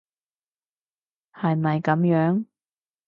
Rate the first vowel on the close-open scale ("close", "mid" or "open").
open